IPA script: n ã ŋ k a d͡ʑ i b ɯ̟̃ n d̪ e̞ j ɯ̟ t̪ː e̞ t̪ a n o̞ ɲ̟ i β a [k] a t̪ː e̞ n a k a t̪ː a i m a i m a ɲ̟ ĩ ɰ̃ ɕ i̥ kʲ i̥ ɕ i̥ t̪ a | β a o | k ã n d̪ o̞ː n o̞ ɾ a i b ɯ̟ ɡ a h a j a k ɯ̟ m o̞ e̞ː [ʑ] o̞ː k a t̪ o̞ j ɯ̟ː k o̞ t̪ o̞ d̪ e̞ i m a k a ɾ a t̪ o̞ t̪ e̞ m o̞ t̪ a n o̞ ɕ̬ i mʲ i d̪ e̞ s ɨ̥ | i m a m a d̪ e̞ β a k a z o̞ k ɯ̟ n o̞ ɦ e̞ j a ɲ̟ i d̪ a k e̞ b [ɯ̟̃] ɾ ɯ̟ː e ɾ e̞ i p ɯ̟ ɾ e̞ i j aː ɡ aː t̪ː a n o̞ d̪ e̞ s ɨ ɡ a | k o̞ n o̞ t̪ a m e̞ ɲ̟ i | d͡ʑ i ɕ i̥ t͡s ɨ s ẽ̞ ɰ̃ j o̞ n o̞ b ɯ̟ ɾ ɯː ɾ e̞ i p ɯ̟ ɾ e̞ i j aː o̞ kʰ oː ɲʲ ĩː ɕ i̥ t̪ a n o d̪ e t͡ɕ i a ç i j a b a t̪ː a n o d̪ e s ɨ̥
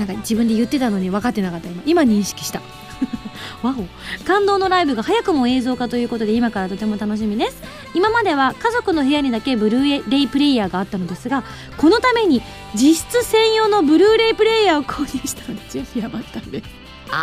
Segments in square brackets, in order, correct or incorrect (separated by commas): correct, incorrect, incorrect